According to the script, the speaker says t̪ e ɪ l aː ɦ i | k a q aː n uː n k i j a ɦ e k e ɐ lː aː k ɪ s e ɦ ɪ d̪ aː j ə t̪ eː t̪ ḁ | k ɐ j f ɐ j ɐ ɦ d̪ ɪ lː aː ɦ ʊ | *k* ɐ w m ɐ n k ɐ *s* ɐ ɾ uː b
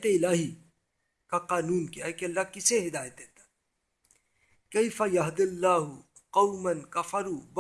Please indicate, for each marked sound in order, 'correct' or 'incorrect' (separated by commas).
incorrect, incorrect